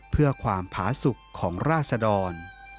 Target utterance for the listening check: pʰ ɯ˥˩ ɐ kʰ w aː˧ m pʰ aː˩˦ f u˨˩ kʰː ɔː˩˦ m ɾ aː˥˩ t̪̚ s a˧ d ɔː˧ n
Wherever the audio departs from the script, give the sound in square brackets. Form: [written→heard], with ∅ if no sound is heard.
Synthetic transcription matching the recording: pʰ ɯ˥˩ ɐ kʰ w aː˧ m pʰ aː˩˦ [f→s] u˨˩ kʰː ɔː˩˦ [m→ŋ] ɾ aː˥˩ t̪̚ s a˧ d ɔː˧ n